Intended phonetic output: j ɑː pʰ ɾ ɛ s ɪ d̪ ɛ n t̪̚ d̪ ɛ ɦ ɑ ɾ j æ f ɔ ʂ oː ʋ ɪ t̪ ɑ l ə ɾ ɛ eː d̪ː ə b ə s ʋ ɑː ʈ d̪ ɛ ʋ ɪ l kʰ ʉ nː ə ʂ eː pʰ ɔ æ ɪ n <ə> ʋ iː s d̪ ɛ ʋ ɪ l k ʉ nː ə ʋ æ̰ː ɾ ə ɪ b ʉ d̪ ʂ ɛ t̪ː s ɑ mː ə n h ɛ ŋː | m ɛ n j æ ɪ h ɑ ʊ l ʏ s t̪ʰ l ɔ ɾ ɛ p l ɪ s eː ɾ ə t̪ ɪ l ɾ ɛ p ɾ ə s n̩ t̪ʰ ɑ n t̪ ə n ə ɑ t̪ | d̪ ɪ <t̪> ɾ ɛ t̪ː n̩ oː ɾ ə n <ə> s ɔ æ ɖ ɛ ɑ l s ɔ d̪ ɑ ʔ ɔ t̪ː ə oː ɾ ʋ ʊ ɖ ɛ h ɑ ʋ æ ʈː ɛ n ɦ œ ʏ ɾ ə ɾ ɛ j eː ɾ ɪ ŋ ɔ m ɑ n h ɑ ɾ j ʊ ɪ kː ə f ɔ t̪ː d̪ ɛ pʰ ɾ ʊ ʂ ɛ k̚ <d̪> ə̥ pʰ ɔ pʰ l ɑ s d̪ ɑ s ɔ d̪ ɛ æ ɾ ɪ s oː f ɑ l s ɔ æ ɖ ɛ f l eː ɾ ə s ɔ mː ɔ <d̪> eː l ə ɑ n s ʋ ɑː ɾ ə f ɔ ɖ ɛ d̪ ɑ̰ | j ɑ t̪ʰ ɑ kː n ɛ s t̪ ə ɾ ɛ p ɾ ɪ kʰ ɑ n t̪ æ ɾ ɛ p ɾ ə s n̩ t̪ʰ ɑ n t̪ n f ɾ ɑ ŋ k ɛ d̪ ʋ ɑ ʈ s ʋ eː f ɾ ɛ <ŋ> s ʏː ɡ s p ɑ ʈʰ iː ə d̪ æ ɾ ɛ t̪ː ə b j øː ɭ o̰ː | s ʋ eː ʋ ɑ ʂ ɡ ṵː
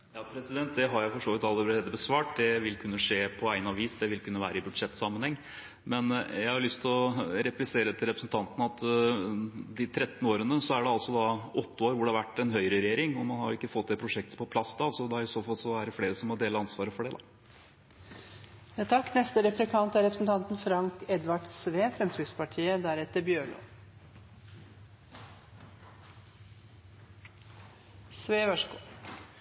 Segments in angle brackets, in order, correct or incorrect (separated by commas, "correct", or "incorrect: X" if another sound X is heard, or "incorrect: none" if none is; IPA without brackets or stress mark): incorrect: ɑ, incorrect: t̪ʰ, correct, incorrect: t̪, correct, incorrect: m